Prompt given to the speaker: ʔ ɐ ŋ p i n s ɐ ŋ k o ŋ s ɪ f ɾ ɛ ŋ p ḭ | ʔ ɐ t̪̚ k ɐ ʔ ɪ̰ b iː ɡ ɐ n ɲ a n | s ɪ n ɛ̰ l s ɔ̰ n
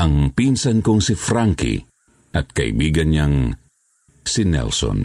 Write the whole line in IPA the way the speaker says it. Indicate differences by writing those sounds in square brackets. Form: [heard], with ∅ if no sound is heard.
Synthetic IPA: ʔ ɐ ŋ p i n s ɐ [n] k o ŋ s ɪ f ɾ [a] ŋ [k] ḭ | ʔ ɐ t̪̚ k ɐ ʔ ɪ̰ b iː ɡ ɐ n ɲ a [ŋ] | s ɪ n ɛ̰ l s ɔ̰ n